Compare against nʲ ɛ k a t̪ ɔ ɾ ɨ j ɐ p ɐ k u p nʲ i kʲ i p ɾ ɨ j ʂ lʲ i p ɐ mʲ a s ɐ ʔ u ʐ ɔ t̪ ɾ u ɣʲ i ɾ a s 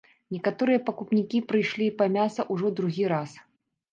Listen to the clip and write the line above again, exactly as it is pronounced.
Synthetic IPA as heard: nʲ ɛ k a t̪ ɔ ɾ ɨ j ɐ p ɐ k u p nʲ i kʲ i p ɾ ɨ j ʂ lʲ i p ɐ mʲ a s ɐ ʔ u ʐ ɔ d̪ ɾ u ɣʲ i ɾ a s